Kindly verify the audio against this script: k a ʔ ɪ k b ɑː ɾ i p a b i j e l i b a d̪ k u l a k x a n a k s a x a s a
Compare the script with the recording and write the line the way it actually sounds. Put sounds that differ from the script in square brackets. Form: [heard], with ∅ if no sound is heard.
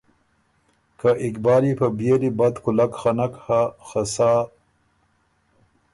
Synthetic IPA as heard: k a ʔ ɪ k b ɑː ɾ i p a b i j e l i b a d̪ k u l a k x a n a k [h] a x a s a

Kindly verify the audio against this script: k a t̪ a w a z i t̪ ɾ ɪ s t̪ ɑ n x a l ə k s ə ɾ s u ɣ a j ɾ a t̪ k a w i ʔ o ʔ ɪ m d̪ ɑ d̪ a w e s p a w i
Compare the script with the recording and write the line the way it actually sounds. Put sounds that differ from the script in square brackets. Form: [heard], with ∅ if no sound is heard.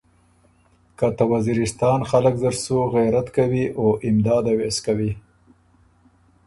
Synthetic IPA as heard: k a t̪ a w a z i [∅] ɾ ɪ s t̪ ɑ n x a l ə k [z] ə ɾ s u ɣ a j ɾ a t̪ k a w i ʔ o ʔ ɪ m d̪ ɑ d̪ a w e s [k] a w i

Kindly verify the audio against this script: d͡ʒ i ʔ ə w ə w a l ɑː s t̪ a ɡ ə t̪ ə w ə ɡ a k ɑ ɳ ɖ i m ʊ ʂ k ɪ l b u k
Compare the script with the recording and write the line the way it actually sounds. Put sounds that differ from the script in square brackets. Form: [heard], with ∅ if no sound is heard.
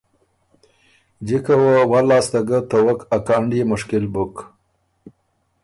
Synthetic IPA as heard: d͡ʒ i [k] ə w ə w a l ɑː s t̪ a ɡ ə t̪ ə w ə [k] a k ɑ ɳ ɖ i m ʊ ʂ k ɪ l b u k

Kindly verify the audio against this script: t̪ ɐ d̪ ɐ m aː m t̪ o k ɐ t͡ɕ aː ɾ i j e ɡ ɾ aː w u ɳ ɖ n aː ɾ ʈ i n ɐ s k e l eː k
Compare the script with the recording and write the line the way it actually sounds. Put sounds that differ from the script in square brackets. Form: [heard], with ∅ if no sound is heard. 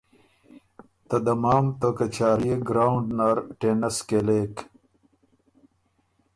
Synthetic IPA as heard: t̪ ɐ d̪ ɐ m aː m t̪ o k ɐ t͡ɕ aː ɾ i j e ɡ ɾ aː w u ɳ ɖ n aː ɾ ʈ [e] n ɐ s k e l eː k

